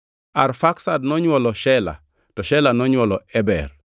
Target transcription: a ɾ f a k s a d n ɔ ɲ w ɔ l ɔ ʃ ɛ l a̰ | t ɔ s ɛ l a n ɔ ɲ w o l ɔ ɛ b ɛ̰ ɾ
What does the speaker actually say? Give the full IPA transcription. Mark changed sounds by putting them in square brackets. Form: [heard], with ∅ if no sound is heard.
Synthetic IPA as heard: a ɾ f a k s a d n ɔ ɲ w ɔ l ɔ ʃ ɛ l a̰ | t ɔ [ʃ] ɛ l a n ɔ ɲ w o l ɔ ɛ b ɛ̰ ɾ